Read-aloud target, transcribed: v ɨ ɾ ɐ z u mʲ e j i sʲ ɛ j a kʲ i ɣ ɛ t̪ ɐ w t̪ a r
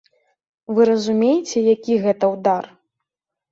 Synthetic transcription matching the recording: v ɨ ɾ ɐ z u mʲ e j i t͡sʲ ɛ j a kʲ i ɣ ɛ t̪ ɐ w d̪ a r

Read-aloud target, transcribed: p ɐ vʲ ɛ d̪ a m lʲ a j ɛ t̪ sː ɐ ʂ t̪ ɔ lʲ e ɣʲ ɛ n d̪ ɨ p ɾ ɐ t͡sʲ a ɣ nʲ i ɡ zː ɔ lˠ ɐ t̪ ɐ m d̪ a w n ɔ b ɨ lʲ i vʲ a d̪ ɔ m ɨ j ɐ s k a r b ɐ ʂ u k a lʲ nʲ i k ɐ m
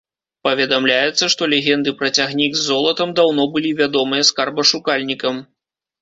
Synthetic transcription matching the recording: p ɐ vʲ ɛ d̪ a m lʲ a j ɛ t̪ sː ɐ ʂ t̪ ɔ lʲ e ɣʲ ɛ n d̪ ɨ p ɾ ɐ t͡sʲ a ɣ nʲ i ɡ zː ɔ lˠ ɐ t̪ ɐ m d̪ a w n ɔ b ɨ lʲ i vʲ a d̪ ɔ m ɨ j ɐ s k a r b ɐ ʂ u k a lʲ nʲ i k ɐ m

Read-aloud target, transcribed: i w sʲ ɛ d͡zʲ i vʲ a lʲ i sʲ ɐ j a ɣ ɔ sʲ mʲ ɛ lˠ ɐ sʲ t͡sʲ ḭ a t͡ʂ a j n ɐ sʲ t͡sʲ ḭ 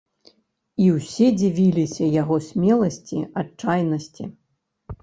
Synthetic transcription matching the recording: i w sʲ ɛ d͡zʲ i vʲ i lʲ i sʲ ɐ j a ɣ ɔ sʲ mʲ ɛ lˠ ɐ sʲ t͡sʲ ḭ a t͡ʂ a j n ɐ sʲ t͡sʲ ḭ

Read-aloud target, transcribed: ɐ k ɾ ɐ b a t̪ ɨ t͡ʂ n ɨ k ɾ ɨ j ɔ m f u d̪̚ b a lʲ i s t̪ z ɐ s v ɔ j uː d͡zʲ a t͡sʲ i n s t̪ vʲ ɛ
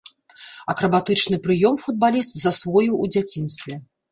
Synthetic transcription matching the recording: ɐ k ɾ ɐ b a t̪ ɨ t͡ʂ n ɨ p ɾ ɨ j ɔ m f u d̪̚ b a lʲ i s t̪ z ɐ s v ɔ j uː d͡zʲ a t͡sʲ i n s t̪ vʲ ɛ

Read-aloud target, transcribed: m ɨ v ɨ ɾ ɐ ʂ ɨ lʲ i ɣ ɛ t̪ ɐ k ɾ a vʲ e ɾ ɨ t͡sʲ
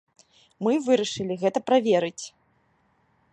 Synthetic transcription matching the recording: m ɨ v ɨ ɾ ɐ ʂ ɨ lʲ i ɣ ɛ t̪ ɐ p ɾ a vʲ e ɾ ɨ t͡sʲ

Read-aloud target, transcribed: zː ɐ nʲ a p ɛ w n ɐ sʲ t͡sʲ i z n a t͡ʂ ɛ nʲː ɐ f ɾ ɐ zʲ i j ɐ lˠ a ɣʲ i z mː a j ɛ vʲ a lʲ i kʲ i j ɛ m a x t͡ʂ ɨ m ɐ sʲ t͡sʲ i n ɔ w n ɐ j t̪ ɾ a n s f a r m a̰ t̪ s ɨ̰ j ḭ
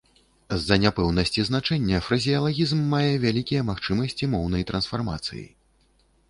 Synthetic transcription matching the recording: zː ɐ nʲ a p ɛ w n ɐ sʲ t͡sʲ i z n a t͡ʂ ɛ nʲː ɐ f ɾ ɐ zʲ i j ɐ lˠ a ɣʲ i z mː a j ɛ vʲ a lʲ i kʲ i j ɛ m a x t͡ʂ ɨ m ɐ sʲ t͡sʲ i m ɔ w n ɐ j t̪ ɾ ɐ n s f a r m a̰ t̪ s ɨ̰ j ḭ

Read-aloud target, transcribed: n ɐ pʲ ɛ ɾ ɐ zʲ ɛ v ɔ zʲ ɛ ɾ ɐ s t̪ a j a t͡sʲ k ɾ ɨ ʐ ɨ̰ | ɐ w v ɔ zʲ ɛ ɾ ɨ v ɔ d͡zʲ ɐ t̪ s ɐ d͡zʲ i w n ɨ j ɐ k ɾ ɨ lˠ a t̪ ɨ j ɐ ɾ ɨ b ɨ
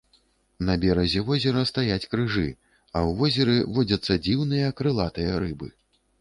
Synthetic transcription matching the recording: n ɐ bʲ ɛ ɾ ɐ zʲ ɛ v ɔ zʲ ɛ ɾ ɐ s t̪ a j a t͡sʲ k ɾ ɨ ʐ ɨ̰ | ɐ w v ɔ zʲ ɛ ɾ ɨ v ɔ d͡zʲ ɐ t̪ sː ɐ d͡zʲ i w n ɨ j ɐ k ɾ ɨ lˠ a t̪ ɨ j ɐ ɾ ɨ b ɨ

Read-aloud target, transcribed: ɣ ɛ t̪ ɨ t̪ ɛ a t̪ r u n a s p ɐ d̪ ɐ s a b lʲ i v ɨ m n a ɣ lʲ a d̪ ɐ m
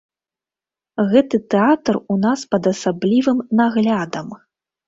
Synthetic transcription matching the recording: ɣ ɛ t̪ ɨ t̪ ɛ a t̪ r u n a s p ɐ d̪ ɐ s a b lʲ i v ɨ m n a ɣ lʲ a d̪ ɐ m

